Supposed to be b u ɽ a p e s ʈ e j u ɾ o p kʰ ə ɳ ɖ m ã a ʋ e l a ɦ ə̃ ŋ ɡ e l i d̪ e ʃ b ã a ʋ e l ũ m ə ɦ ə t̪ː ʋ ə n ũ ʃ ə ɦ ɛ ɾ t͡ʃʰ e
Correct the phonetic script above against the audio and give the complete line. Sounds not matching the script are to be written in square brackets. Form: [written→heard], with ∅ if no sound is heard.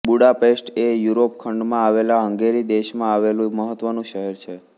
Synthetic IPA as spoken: b u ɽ a p e s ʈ e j u ɾ o p kʰ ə ɳ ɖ m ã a ʋ e l a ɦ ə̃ ŋ ɡ e [l→ɾ] i d̪ e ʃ [b→m] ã a ʋ e l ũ m ə ɦ ə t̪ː ʋ ə n ũ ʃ ə ɦ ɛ ɾ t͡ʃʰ e